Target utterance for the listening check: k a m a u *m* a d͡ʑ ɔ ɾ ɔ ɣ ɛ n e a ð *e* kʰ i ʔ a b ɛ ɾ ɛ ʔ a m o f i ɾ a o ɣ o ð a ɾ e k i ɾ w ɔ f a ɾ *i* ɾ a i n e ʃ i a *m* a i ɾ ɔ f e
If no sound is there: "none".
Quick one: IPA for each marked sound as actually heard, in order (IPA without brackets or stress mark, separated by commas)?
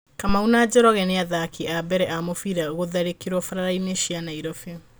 n, a, a, n